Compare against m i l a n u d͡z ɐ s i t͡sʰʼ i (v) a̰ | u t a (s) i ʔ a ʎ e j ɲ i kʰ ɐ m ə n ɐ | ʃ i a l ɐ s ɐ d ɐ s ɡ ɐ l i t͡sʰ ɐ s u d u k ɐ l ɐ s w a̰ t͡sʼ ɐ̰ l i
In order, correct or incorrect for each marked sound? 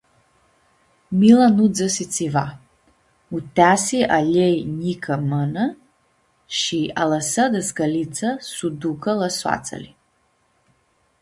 correct, correct

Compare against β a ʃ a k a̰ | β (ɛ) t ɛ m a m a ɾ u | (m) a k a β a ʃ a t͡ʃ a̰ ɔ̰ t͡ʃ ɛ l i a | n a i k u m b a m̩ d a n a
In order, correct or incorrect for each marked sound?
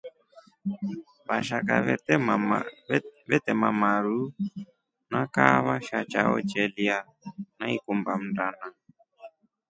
correct, incorrect: n

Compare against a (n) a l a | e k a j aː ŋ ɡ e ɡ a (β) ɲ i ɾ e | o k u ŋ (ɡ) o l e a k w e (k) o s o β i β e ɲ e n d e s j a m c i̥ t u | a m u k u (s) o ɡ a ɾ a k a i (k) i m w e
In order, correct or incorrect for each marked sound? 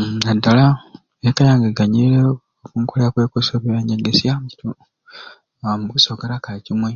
incorrect: d, incorrect: none, incorrect: k, correct, correct, incorrect: c

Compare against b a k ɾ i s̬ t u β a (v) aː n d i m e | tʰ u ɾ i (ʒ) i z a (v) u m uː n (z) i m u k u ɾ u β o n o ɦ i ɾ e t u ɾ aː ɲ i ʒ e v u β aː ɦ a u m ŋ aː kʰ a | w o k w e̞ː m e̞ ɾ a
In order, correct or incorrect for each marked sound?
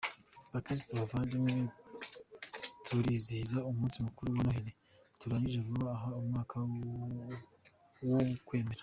correct, incorrect: z, incorrect: none, incorrect: s

